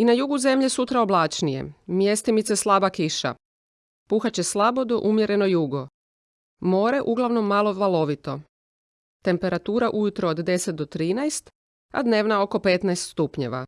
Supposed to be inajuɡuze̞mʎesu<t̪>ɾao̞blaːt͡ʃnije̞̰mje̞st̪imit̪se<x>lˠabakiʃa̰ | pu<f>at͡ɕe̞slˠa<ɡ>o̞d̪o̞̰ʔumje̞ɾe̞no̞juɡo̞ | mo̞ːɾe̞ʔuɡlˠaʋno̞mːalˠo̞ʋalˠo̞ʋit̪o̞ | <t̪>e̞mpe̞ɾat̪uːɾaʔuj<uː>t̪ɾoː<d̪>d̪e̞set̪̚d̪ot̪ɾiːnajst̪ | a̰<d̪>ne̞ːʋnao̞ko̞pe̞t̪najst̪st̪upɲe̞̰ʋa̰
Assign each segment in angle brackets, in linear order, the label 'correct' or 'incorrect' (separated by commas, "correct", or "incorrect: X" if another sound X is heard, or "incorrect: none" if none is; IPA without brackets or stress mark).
correct, incorrect: s, incorrect: x, incorrect: b, correct, incorrect: u, correct, correct